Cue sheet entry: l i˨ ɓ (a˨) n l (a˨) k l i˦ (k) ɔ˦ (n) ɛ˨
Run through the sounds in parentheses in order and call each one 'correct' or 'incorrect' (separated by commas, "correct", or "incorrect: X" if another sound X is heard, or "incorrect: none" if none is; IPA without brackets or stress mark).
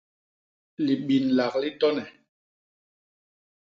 incorrect: i˨, correct, incorrect: t, correct